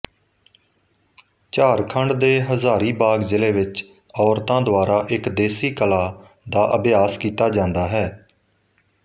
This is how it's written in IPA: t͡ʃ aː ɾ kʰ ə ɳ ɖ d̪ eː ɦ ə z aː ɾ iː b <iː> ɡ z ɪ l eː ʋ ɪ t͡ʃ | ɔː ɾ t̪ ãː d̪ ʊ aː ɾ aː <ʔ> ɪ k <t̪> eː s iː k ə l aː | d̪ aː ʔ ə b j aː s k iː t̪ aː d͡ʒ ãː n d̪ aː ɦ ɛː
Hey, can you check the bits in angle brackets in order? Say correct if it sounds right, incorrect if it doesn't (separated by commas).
incorrect, correct, incorrect